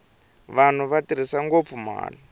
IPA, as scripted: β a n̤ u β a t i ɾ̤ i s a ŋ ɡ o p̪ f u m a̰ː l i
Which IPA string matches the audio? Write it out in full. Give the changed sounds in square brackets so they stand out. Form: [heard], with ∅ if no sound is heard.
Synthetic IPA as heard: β a n̤ u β a t i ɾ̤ i s a ŋ ɡ o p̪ f u m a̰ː l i